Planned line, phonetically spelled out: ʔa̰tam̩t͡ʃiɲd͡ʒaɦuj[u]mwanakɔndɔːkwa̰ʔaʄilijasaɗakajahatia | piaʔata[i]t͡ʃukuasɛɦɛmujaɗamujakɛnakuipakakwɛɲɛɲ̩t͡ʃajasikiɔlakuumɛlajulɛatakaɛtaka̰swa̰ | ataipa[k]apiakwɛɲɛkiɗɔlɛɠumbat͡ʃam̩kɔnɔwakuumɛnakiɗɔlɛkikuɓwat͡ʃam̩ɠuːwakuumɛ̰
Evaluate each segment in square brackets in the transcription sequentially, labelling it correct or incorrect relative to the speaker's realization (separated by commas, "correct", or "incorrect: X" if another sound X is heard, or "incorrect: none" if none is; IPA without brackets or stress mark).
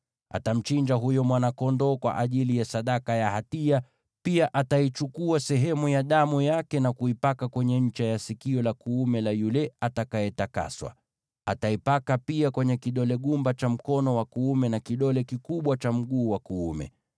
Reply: incorrect: ɔ, correct, correct